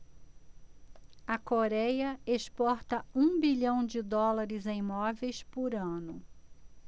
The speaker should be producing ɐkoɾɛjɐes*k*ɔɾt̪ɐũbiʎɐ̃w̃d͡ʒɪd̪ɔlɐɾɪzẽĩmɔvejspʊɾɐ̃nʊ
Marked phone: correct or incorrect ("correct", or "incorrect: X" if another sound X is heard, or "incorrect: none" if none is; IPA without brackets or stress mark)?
incorrect: p